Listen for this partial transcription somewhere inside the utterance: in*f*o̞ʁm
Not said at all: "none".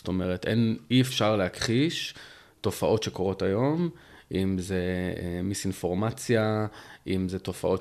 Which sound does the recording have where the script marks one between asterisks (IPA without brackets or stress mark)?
f